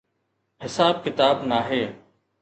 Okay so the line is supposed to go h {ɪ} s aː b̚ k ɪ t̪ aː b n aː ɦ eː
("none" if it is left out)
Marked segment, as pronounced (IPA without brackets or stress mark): ɪ